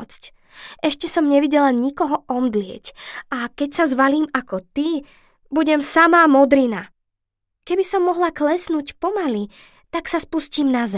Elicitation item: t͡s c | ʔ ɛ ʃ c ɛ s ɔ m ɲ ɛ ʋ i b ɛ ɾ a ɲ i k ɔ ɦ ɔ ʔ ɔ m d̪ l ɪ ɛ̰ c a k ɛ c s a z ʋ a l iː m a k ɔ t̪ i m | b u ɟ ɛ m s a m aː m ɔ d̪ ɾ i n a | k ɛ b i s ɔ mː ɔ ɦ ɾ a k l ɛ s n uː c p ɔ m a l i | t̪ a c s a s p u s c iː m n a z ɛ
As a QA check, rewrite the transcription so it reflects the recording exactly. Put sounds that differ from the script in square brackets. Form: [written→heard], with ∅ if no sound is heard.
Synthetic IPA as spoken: t͡s c | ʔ ɛ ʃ c ɛ s ɔ m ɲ ɛ ʋ i [b→ɟ] ɛ [ɾ→l] a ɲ i k ɔ ɦ ɔ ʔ ɔ m d̪ l ɪ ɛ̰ c a k ɛ c s a z ʋ a l iː m a k ɔ t̪ i [m→∅] | b u ɟ ɛ m s a m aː m ɔ d̪ ɾ i n a | k ɛ b i s ɔ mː ɔ ɦ [ɾ→l] a k l ɛ s n uː c p ɔ m a l i | t̪ a [c→k] s a s p u s c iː m n a z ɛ